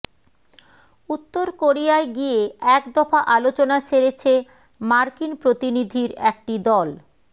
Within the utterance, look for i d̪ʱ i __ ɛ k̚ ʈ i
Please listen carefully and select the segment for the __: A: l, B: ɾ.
B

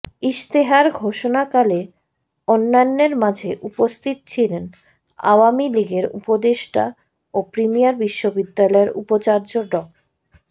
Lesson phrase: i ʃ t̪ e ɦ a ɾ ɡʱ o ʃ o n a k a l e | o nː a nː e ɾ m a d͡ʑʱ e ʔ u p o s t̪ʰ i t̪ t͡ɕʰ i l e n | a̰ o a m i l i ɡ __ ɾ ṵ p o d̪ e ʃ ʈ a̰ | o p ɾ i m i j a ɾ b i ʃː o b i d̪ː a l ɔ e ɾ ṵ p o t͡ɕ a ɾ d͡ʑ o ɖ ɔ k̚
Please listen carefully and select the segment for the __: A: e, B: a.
A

